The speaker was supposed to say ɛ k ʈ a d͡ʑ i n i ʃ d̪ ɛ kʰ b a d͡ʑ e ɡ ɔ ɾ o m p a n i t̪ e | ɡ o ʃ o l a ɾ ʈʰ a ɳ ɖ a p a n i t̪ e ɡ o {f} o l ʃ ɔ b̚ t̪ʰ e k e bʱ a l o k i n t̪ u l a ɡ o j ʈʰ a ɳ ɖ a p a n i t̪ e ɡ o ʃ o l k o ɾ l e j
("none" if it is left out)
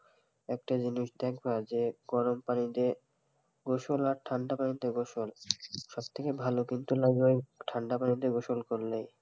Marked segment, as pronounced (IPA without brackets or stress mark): ʃ